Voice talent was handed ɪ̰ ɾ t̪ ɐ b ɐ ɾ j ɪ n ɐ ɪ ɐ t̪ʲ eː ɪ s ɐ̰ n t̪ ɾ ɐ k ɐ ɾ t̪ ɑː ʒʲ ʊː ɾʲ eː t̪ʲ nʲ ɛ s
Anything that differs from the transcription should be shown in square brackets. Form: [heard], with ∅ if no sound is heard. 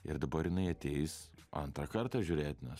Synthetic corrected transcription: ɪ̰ ɾ [d̪] ɐ b ɐ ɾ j ɪ n ɐ ɪ ɐ t̪ʲ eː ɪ s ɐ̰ n t̪ ɾ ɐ k ɐ ɾ t̪ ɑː ʒʲ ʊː ɾʲ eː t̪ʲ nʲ ɛ s